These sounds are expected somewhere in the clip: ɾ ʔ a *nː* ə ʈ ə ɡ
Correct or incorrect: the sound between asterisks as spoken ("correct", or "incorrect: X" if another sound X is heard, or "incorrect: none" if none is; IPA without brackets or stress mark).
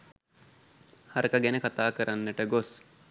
correct